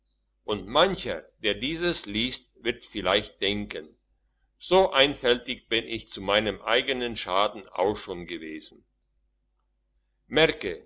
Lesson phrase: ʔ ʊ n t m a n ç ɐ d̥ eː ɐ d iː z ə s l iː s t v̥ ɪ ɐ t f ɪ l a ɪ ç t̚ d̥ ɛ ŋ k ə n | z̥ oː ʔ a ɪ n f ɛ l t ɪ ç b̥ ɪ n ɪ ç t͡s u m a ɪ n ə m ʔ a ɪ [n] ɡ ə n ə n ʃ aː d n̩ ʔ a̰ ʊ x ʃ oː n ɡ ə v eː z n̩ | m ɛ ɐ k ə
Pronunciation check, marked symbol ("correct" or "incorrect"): incorrect